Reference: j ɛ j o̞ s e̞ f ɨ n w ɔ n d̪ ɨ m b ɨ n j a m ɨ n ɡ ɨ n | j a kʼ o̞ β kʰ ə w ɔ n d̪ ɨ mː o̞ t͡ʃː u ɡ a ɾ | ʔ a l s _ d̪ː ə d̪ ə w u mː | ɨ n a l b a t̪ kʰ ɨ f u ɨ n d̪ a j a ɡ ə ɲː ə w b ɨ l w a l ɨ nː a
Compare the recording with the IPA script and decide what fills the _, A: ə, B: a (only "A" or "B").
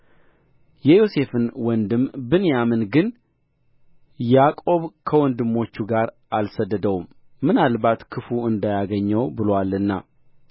A